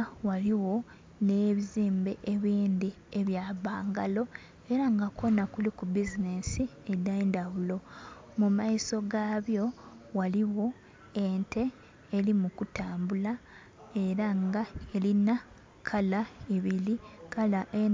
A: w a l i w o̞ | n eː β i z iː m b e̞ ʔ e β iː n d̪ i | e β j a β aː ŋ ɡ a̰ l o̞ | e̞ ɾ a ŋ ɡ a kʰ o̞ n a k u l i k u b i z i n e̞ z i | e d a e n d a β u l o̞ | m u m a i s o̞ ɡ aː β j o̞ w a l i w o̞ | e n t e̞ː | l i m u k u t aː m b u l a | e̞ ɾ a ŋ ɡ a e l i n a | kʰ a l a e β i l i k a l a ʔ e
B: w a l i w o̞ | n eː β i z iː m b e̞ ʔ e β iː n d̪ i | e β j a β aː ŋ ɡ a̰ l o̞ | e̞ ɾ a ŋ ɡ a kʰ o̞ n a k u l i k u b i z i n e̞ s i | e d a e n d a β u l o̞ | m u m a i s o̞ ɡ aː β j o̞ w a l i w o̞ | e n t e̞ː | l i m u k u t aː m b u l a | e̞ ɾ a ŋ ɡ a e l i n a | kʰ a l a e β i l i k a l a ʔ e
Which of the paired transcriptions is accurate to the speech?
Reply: B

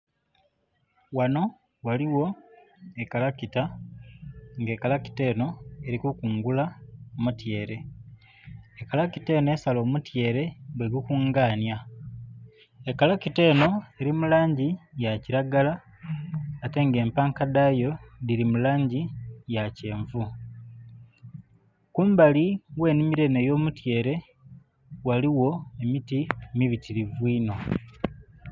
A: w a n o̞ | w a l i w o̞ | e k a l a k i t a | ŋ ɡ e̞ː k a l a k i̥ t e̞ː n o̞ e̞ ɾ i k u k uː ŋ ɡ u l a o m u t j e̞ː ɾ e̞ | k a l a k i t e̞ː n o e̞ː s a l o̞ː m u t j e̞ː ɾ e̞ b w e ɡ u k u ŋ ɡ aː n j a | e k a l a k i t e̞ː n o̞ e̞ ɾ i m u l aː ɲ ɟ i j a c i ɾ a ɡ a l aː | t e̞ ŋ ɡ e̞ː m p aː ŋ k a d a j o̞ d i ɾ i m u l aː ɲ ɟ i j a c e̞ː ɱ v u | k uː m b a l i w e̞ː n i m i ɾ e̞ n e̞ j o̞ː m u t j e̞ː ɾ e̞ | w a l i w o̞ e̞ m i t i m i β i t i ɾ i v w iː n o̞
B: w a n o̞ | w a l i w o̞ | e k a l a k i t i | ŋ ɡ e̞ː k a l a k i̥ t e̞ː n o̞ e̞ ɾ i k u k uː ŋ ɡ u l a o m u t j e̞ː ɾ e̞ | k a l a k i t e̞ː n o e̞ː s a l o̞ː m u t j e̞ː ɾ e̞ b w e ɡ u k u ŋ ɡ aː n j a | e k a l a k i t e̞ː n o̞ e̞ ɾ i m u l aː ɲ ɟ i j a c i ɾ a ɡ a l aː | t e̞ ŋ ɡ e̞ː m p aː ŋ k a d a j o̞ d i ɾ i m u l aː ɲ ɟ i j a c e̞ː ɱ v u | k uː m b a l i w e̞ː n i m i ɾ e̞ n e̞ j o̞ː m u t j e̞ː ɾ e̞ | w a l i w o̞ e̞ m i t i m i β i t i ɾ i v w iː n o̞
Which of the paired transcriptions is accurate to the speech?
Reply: A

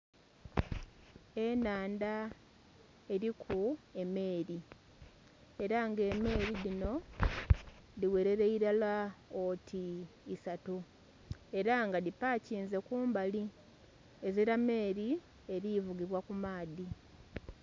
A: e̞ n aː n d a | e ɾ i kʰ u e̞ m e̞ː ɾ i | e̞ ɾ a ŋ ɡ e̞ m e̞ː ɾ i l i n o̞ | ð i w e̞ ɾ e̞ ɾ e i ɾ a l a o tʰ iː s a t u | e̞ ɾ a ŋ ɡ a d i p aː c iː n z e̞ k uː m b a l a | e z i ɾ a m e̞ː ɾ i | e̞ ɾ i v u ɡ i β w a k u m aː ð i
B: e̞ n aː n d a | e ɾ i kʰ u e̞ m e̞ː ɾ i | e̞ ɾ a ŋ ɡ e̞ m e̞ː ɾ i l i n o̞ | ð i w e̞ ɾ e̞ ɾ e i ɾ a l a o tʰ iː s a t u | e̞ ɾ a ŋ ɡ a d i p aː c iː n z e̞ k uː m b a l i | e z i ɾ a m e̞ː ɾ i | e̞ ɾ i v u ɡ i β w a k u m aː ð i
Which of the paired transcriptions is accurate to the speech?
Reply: B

